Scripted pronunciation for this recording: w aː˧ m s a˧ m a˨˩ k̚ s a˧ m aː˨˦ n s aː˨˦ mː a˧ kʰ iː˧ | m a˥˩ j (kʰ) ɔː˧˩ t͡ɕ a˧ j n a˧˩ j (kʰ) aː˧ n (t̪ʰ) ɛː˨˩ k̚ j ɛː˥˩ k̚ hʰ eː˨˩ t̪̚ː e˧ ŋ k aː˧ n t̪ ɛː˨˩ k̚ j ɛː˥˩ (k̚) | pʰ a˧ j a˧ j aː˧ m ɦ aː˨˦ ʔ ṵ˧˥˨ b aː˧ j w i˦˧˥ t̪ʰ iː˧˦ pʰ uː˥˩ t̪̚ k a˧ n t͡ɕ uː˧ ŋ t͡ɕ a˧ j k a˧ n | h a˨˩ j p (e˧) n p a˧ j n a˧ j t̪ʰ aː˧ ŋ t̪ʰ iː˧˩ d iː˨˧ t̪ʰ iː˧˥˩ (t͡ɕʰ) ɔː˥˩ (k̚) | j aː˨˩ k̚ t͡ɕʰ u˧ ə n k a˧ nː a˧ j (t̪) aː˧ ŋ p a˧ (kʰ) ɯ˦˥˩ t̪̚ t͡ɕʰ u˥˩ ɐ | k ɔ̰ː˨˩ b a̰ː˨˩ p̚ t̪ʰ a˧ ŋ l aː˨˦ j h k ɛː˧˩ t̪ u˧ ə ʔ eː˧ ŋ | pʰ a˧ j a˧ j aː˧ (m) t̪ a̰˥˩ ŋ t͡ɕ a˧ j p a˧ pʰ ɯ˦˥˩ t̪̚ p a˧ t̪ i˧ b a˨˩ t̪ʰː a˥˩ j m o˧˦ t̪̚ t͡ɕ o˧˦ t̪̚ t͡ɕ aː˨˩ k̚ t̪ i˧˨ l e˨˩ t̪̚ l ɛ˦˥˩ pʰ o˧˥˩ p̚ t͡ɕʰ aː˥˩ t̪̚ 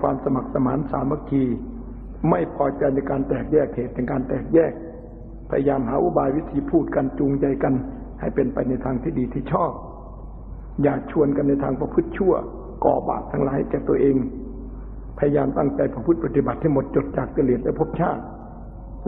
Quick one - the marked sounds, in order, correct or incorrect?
incorrect, incorrect, incorrect, correct, correct, correct, incorrect, incorrect, incorrect, correct

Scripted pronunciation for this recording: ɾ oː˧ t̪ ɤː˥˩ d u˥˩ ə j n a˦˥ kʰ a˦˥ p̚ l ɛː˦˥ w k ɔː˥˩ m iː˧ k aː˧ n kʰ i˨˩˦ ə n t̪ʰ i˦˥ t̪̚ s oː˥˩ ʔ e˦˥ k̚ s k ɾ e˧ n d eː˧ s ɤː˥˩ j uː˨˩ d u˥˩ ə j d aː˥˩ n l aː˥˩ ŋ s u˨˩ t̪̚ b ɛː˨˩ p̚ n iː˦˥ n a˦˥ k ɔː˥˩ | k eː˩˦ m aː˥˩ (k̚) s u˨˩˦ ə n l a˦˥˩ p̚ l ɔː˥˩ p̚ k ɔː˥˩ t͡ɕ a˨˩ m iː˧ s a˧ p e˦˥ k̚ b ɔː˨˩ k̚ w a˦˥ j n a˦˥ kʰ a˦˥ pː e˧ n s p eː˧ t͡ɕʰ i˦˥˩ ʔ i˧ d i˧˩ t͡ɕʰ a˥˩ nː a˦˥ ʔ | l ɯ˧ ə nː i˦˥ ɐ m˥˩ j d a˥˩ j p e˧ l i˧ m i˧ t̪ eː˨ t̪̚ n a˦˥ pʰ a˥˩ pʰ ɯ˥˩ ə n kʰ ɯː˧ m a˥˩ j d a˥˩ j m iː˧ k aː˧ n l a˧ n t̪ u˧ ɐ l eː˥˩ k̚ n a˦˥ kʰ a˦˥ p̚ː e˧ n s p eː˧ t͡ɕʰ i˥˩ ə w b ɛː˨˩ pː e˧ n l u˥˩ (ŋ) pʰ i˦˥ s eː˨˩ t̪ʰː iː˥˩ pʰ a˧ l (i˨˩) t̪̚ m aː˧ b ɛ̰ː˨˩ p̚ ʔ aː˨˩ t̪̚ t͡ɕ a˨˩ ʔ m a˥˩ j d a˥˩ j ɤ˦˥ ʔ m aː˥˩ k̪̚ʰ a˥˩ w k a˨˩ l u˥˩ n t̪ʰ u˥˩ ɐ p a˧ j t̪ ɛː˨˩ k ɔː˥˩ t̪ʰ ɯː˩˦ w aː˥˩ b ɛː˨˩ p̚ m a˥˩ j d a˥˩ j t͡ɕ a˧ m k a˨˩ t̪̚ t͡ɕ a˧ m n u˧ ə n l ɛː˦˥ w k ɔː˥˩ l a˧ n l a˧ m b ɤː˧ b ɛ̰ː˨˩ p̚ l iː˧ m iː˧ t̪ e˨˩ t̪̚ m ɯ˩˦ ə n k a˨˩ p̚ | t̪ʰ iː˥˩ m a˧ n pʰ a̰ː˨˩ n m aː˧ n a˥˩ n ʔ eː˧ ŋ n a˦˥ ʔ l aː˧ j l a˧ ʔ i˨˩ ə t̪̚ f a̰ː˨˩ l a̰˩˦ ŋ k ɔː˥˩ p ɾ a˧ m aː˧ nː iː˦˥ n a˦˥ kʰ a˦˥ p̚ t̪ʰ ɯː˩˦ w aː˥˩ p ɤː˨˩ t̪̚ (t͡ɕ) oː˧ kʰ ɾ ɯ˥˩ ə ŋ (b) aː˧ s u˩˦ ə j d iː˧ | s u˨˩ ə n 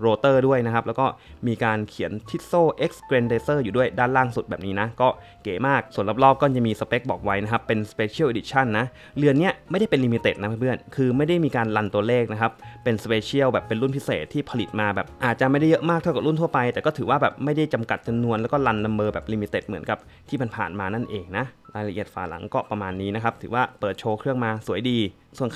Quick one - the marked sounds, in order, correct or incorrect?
correct, incorrect, correct, incorrect, incorrect

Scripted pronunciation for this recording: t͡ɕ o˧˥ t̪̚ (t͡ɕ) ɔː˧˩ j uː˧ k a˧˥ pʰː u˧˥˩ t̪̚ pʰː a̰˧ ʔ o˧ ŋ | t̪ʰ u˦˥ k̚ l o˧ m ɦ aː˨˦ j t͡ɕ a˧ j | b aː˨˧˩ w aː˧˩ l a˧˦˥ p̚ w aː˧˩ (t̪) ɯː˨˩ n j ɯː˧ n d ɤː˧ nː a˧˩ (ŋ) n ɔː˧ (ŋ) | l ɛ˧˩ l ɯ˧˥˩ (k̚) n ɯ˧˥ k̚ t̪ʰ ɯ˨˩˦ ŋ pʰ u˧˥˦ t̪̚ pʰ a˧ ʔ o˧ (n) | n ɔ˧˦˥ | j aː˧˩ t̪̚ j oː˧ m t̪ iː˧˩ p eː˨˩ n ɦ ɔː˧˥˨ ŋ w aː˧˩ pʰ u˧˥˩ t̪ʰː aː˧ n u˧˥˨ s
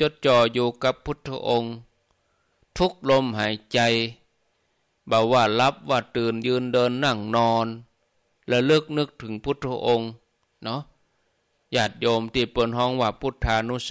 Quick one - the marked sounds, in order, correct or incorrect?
correct, correct, correct, incorrect, correct, incorrect

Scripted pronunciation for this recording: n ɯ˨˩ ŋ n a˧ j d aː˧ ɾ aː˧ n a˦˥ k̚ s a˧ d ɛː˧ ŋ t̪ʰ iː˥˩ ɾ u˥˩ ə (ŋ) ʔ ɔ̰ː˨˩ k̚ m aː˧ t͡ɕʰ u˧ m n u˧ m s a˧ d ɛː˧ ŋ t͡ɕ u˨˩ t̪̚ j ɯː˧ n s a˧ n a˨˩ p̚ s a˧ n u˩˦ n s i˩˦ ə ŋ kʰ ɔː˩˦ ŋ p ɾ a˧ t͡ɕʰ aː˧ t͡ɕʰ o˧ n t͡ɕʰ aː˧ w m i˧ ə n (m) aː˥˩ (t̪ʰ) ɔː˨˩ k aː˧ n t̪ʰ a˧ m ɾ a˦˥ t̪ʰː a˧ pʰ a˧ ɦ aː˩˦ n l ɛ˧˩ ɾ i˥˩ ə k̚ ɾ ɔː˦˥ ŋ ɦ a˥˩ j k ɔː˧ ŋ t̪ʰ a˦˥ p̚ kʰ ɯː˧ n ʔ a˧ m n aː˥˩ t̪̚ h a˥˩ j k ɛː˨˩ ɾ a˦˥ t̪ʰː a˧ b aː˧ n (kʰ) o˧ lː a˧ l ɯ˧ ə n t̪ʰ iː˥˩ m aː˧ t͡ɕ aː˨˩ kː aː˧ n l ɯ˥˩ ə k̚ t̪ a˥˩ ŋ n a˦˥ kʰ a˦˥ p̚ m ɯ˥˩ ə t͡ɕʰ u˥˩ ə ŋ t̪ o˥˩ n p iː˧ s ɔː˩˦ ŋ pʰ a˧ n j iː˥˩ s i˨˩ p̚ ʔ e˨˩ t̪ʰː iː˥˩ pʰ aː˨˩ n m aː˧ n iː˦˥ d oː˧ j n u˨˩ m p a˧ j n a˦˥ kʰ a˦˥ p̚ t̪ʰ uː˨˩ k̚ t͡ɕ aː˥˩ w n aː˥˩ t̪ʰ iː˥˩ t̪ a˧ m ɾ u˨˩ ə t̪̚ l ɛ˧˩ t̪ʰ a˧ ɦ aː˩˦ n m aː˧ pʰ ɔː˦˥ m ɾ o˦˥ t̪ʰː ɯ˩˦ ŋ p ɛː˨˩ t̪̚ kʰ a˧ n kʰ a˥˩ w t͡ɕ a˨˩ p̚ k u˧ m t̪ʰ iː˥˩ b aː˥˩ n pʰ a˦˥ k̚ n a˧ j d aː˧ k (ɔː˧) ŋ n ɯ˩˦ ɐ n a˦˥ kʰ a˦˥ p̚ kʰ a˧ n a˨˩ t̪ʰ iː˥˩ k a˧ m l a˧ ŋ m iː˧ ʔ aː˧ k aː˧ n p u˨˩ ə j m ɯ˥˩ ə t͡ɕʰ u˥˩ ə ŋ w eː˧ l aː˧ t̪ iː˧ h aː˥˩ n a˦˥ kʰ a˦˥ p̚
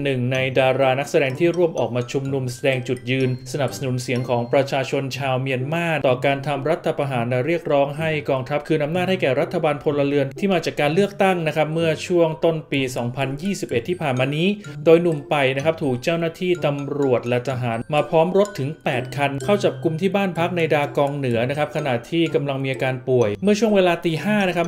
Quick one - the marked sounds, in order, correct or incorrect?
incorrect, correct, incorrect, incorrect, correct

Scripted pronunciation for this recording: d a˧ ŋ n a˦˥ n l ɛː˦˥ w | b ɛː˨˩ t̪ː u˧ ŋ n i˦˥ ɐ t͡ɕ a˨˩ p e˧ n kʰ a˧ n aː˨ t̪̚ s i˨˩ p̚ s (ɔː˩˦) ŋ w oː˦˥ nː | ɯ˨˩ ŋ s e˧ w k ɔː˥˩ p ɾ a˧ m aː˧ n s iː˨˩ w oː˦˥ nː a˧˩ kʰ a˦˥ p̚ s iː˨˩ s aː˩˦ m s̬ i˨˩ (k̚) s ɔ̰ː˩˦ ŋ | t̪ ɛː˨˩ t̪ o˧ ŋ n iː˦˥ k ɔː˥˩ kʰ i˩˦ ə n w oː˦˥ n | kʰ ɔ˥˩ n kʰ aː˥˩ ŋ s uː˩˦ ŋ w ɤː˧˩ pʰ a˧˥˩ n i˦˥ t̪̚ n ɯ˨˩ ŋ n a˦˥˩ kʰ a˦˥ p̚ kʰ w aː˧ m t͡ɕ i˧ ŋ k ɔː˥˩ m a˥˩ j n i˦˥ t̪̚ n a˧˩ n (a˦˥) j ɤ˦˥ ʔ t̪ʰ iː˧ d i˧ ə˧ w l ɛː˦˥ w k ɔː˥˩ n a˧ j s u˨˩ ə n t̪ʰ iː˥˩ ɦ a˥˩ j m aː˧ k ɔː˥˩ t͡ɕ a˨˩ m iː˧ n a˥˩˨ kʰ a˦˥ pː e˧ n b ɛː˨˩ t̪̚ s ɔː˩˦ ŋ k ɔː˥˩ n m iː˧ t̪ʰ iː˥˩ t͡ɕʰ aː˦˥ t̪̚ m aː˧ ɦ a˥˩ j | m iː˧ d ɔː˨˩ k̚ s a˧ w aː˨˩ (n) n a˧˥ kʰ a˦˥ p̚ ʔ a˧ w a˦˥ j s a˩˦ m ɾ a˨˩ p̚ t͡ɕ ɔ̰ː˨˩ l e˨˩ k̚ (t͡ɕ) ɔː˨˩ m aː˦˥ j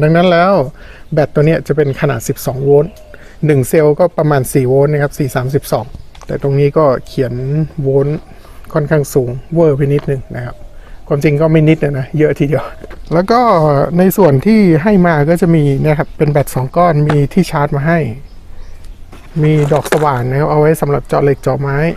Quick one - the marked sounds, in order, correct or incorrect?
correct, incorrect, correct, correct, correct

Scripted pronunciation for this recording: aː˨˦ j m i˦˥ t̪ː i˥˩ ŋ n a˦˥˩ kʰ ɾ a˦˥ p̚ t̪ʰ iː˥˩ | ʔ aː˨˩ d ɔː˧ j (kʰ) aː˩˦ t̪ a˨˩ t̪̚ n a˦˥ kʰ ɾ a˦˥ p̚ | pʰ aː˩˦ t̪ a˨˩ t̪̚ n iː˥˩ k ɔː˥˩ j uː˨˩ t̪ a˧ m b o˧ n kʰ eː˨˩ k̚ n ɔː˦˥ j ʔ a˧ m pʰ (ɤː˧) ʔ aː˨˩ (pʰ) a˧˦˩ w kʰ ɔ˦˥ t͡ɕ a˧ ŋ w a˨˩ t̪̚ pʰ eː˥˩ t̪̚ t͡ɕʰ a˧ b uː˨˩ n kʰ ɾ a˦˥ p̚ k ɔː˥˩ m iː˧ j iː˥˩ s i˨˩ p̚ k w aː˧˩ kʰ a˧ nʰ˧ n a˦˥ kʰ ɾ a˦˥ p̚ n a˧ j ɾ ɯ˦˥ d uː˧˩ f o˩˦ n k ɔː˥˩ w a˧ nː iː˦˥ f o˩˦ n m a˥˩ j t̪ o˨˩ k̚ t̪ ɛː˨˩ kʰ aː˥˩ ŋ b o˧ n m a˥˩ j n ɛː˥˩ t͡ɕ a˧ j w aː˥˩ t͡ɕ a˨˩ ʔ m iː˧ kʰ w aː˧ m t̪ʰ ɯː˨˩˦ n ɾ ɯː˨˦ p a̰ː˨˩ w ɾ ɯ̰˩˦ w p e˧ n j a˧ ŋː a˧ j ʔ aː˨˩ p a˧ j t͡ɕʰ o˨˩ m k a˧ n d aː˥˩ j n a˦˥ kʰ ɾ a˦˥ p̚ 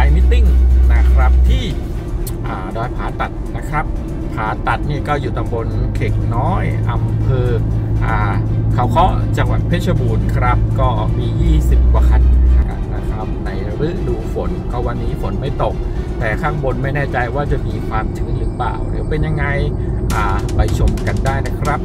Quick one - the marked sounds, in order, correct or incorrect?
incorrect, correct, incorrect

